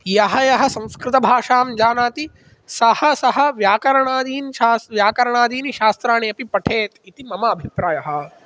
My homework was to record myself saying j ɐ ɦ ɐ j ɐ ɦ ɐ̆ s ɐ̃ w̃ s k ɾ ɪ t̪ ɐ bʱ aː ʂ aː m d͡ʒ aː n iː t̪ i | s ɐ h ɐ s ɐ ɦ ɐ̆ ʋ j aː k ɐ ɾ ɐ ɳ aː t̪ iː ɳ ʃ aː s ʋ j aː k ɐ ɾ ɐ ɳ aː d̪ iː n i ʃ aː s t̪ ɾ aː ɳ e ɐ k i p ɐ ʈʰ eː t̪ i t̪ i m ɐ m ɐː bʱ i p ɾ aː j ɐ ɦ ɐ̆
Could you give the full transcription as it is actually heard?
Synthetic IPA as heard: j ɐ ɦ ɐ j ɐ ɦ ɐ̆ s ɐ̃ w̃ s k ɾ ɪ t̪ ɐ bʱ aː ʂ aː m d͡ʒ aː n aː t̪ i | s ɐ h ɐ s ɐ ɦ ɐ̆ ʋ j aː k ɐ ɾ ɐ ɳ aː d̪ iː n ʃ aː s ʋ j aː k ɐ ɾ ɐ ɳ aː d̪ iː n i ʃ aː s t̪ ɾ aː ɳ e ɐ p i p ɐ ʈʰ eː t̪ i t̪ i m ɐ m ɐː bʱ i p ɾ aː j ɐ ɦ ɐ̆